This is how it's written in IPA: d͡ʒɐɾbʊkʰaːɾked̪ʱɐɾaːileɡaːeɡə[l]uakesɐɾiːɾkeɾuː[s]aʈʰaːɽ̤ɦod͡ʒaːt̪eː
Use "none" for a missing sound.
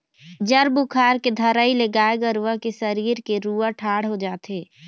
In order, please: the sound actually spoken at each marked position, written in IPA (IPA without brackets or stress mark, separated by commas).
ɾ, none